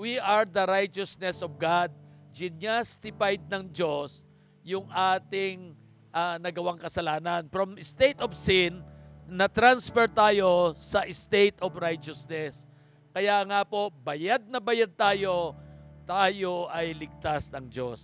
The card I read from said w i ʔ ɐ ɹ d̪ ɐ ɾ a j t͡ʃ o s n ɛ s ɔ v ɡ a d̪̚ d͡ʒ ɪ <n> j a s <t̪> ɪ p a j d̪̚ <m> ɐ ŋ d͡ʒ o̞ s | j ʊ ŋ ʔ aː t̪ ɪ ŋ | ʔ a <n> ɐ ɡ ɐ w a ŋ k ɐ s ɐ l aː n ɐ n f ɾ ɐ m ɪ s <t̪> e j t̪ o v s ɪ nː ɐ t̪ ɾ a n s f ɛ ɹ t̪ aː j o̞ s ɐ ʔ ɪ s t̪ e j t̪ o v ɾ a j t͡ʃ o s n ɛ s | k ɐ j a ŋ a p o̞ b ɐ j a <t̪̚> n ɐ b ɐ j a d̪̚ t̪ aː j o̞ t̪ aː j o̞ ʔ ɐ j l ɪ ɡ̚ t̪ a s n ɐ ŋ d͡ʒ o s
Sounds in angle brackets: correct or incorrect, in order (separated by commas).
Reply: correct, correct, incorrect, correct, correct, incorrect